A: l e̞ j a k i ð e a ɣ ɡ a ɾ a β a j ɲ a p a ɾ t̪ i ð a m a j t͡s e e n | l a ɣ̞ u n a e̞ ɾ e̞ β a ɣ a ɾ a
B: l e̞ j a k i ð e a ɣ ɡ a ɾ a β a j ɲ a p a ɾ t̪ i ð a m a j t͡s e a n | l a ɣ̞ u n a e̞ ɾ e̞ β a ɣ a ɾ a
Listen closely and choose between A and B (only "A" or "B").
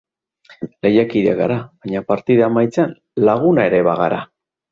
B